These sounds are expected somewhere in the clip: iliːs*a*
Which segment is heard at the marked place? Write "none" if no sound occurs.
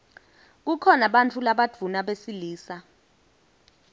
a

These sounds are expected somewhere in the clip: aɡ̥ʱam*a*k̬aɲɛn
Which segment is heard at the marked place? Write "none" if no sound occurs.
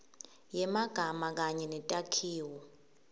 a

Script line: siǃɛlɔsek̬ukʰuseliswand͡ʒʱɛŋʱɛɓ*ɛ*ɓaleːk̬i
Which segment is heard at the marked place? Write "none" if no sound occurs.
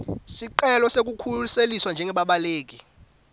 a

